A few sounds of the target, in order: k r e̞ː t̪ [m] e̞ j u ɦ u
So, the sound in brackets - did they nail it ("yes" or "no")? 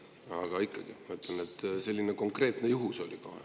no